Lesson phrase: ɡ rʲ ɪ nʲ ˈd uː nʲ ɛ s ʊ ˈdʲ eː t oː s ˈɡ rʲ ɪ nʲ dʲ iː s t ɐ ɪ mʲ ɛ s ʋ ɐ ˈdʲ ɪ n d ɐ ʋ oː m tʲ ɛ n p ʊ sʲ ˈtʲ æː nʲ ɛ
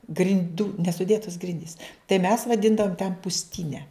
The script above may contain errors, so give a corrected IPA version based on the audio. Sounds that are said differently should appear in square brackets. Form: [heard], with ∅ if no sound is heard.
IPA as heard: ɡ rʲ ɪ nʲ ˈd uː nʲ ɛ s ʊ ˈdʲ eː t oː s ˈɡ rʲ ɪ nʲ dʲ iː s t ɐ ɪ mʲ ɛ s ʋ ɐ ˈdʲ ɪ n d ɐ ʋ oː m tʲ ɛ n p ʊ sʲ ˈtʲ [iː] nʲ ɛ